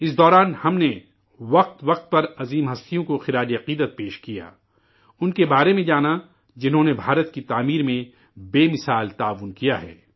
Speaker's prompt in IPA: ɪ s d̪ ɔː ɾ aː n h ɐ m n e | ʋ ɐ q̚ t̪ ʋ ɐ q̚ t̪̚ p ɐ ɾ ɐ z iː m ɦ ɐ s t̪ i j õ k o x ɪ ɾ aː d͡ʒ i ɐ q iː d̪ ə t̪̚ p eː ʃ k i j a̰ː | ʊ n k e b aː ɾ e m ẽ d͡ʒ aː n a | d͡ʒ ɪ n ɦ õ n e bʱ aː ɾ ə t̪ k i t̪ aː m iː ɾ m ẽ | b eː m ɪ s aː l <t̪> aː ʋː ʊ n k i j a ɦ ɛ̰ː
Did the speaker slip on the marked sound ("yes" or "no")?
no